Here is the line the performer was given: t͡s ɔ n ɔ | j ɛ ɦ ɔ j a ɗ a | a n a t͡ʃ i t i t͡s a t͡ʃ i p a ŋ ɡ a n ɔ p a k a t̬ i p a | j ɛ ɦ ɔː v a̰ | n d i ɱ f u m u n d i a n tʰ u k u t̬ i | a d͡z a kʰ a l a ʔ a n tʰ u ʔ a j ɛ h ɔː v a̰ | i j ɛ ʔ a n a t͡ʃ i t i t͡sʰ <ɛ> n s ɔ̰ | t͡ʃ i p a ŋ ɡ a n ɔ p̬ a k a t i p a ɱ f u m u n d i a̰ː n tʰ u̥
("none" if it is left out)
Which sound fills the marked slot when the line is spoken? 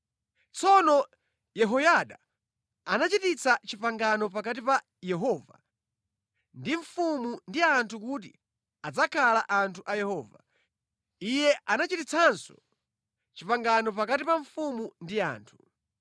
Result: a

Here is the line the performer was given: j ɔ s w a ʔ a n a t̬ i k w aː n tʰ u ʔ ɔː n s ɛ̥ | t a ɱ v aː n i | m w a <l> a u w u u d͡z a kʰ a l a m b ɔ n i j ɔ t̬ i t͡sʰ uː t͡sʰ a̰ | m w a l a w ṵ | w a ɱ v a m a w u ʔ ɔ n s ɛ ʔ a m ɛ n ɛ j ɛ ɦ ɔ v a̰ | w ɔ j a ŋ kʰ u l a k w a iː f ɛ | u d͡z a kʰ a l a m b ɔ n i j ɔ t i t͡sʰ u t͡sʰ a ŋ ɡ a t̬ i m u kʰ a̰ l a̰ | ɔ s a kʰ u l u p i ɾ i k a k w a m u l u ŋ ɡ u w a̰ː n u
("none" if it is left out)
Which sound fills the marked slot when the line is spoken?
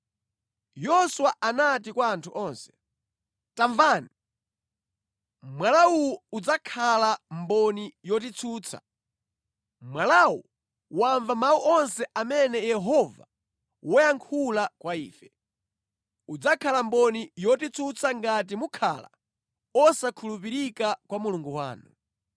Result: l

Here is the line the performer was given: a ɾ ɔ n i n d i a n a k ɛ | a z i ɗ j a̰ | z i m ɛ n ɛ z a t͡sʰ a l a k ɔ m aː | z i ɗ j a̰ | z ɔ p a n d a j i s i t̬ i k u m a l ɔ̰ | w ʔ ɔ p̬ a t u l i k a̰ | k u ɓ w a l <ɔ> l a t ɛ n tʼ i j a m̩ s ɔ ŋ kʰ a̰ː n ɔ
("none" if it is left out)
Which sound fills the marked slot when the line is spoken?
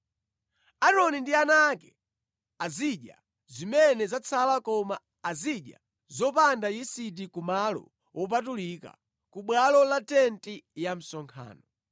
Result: ɔ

